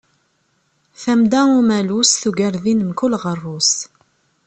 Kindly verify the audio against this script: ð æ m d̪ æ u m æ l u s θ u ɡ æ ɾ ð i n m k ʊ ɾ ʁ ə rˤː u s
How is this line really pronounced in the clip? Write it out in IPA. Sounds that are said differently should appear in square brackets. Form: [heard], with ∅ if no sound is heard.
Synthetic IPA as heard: [θ] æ m d̪ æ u m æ l u s θ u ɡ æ ɾ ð i n m k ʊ [l] ʁ ə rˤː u s

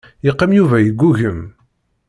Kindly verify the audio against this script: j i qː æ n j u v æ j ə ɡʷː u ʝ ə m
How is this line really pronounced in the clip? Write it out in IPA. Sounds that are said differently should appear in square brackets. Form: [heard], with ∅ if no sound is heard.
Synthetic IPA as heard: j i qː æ [m] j u v æ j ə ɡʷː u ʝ ə m

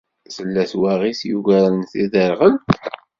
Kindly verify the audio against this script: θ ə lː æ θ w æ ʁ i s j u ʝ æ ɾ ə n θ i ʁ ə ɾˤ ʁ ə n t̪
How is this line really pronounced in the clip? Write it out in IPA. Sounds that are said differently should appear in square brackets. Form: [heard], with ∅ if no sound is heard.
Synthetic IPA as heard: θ ə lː æ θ w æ ʁ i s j u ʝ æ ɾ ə n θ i [ð] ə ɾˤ ʁ ə n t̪

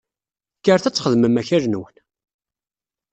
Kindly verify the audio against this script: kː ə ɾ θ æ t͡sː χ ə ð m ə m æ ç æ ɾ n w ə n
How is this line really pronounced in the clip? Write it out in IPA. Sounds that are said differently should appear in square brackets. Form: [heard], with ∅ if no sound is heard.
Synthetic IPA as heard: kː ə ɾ θ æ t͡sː χ ə ð m ə m æ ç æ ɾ n w ə n

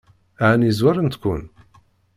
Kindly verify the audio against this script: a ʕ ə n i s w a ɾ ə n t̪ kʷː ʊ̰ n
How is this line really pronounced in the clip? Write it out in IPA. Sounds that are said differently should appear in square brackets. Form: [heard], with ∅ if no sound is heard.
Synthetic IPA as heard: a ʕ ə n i [z] w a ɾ ə n t̪ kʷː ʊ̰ n

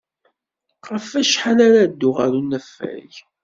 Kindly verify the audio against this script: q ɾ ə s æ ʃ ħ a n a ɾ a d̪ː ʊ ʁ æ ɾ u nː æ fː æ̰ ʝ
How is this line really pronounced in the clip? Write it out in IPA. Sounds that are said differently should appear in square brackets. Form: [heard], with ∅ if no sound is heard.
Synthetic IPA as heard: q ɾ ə [f] æ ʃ ħ a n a ɾ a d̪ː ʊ ʁ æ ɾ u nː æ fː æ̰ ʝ

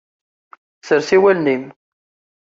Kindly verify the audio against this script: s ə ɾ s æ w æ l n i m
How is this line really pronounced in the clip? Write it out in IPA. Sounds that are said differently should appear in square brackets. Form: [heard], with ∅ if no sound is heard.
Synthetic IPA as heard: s ə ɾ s [i] w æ l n i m

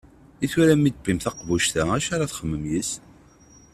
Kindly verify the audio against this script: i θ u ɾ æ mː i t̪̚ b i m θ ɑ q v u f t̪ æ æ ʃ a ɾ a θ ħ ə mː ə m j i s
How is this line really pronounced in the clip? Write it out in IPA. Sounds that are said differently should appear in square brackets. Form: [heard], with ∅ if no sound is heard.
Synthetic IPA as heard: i θ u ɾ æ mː i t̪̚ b i m θ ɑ q v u [ʃ] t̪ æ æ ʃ a ɾ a θ [χ] ə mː ə m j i s

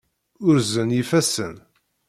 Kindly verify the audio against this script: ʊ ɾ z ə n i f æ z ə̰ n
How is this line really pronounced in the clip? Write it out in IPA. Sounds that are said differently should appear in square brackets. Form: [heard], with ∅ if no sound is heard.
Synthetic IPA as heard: ʊ ɾ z ə n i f æ [s] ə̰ n

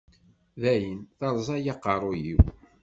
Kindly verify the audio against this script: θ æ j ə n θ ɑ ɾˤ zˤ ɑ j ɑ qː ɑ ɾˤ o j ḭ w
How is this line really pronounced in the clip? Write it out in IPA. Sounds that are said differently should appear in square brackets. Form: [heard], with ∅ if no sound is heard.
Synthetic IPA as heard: [ð] æ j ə n θ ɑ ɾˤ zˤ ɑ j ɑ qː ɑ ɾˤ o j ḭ w

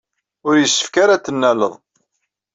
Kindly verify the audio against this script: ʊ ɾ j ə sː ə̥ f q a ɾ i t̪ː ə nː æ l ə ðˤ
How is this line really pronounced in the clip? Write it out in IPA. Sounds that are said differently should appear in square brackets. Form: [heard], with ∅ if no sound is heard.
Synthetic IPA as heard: ʊ ɾ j ə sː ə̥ f [k] a ɾ [a] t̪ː ə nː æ l ə ðˤ

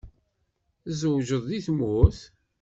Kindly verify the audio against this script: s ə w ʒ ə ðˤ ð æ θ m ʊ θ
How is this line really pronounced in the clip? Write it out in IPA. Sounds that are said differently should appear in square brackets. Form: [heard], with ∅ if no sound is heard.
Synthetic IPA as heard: [z] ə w ʒ ə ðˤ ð [i] θ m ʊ θ

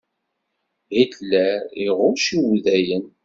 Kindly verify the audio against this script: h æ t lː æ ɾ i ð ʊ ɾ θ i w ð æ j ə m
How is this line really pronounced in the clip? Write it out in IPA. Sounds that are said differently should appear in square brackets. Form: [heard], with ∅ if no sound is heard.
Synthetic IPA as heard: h [i] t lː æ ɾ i [ʁ] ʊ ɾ [ʃ] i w ð æ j ə [n]

